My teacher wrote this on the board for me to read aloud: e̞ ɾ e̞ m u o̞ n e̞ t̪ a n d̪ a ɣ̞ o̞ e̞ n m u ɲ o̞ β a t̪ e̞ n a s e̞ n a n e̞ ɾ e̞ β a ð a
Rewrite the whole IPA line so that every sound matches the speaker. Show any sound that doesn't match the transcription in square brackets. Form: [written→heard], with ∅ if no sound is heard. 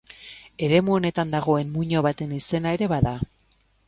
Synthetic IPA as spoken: e̞ ɾ e̞ m u o̞ n e̞ t̪ a n d̪ a ɣ̞ o̞ e̞ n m u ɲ o̞ β a t̪ e̞ n [a→i] s e̞ n a [n→∅] e̞ ɾ e̞ β a ð a